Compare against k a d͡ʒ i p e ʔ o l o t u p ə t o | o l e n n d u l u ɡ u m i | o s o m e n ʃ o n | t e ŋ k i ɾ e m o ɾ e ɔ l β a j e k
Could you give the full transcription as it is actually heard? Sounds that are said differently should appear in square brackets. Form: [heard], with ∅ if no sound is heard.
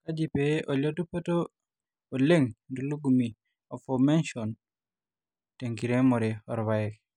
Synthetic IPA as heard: k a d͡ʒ i p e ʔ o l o t u p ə t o | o l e [ŋ] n d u l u ɡ u m i | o [f] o m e n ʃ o n | t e ŋ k i ɾ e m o ɾ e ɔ [ɾ] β a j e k